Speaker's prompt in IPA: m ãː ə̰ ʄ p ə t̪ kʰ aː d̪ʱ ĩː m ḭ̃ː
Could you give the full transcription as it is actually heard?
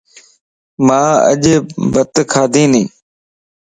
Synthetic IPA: m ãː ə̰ ʄ b ə t̪ kʰ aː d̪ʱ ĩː n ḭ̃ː